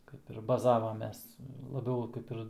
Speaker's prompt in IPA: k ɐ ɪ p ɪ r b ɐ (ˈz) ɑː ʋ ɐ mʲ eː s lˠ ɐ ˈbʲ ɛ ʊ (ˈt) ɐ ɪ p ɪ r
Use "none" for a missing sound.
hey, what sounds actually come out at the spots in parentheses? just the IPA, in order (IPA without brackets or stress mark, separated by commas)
z, k